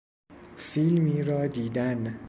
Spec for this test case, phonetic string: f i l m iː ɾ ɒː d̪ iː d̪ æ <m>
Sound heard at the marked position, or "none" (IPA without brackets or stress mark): n